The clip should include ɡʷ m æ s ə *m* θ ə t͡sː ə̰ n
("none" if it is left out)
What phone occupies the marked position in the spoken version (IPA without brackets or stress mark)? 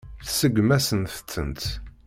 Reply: n